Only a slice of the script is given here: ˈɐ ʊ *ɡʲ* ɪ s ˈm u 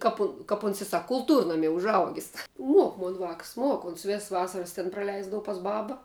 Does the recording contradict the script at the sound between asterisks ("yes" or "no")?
no